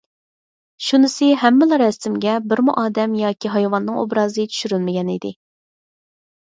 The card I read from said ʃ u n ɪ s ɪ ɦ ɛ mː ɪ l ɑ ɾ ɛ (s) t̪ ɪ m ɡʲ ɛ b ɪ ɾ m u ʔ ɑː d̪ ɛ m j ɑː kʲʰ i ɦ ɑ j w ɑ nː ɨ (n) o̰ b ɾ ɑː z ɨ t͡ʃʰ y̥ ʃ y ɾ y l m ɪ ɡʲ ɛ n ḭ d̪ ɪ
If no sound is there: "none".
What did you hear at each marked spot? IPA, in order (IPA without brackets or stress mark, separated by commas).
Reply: s, ŋ